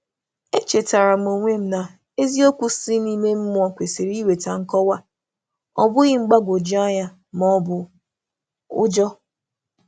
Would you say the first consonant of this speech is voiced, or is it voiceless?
voiceless